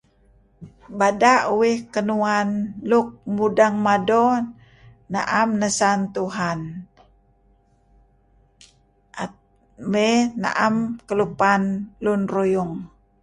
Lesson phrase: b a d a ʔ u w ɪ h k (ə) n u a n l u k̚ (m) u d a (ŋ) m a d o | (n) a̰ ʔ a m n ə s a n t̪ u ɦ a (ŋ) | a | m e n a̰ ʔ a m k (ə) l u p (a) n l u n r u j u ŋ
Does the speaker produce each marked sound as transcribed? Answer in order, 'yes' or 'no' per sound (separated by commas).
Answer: yes, yes, yes, yes, no, yes, yes